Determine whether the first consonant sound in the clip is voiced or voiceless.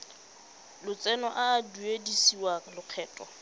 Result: voiced